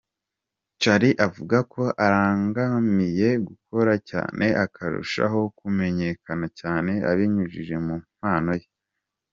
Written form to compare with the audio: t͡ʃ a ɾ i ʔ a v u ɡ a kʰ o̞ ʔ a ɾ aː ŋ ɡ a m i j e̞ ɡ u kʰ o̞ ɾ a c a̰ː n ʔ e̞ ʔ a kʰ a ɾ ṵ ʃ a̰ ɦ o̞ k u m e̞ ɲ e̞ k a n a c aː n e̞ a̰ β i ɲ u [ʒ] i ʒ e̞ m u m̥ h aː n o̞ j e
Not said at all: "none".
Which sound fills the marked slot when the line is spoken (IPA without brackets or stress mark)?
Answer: ʒ